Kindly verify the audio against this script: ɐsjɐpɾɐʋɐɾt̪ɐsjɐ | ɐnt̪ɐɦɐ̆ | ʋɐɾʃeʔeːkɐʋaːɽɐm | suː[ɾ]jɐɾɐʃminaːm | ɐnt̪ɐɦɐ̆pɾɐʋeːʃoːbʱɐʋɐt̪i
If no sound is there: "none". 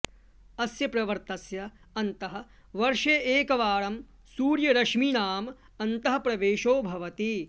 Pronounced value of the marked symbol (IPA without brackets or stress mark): ɾ